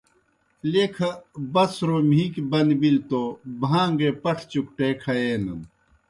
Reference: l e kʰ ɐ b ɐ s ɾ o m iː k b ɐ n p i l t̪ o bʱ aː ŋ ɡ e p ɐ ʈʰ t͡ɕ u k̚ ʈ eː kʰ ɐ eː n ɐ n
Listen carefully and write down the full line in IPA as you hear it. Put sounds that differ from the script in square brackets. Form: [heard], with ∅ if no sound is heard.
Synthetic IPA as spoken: l e kʰ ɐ b ɐ s ɾ o m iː k b ɐ n [b] i l t̪ o bʱ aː ŋ ɡ e p ɐ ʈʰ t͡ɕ u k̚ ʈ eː kʰ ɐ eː n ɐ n